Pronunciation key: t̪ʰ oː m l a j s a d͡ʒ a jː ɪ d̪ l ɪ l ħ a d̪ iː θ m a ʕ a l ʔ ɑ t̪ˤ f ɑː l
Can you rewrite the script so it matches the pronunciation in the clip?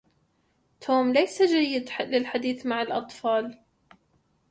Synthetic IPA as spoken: t̪ʰ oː m l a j s a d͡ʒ a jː ɪ d̪ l ɪ l ħ a d̪ iː θ m a ʕ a l ʔ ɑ t̪ˤ f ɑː l